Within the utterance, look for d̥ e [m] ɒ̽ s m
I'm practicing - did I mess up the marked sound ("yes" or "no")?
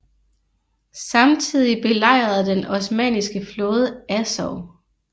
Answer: yes